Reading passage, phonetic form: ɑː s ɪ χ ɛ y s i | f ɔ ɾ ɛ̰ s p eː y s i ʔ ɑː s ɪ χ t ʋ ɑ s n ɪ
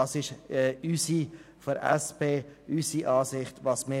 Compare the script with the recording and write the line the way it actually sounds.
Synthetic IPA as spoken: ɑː s ɪ ʃ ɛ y s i | f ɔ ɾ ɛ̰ s p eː y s i ʔ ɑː s ɪ χ t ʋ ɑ s m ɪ

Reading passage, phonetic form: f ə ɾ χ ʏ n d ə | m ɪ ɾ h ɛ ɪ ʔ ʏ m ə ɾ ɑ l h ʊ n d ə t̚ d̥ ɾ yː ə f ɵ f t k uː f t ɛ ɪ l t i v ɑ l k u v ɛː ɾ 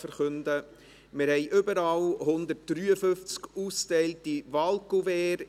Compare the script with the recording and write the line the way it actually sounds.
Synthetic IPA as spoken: f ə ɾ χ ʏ n d ə | m ɪ ɾ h ɛ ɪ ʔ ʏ b ə ɾ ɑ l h ʊ n d ə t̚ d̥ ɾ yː ə f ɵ f t͡s k uː s t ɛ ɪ l t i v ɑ l k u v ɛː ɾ

